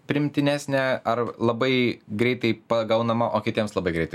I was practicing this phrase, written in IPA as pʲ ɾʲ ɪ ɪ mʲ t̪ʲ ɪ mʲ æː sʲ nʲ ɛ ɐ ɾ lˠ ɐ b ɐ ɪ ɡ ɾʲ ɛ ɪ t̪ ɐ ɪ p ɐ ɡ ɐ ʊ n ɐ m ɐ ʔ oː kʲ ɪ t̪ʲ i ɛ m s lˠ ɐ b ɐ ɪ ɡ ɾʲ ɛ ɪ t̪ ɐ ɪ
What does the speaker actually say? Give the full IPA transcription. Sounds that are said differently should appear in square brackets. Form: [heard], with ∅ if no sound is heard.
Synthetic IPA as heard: pʲ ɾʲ ɪ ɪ mʲ t̪ʲ ɪ [nʲ] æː sʲ nʲ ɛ ɐ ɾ lˠ ɐ b ɐ ɪ ɡ ɾʲ ɛ ɪ t̪ ɐ ɪ p ɐ ɡ ɐ ʊ n ɐ m ɐ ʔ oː kʲ ɪ t̪ʲ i ɛ m s lˠ ɐ b ɐ ɪ ɡ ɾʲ ɛ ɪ t̪ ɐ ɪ